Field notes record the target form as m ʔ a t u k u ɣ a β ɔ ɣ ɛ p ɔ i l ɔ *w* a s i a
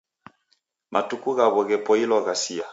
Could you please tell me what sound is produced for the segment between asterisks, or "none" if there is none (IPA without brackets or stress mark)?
ɣ